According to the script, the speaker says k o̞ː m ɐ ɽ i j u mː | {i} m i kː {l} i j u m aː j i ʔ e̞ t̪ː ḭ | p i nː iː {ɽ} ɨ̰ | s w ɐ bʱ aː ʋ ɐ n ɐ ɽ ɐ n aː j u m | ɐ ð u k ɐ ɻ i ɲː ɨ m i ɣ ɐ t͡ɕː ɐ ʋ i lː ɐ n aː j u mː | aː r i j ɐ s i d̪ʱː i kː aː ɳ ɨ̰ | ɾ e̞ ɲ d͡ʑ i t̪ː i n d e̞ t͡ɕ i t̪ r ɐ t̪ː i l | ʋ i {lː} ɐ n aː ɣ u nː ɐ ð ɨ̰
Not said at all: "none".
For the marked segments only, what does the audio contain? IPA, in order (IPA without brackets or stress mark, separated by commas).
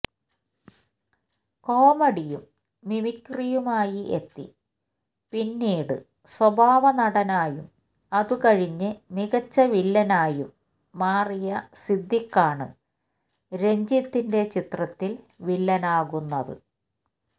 i, r, ɽ, lː